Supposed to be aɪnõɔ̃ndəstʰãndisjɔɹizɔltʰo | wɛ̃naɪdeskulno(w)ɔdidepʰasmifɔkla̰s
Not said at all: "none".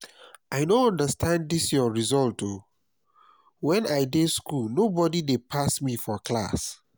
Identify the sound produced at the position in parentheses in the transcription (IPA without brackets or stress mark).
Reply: b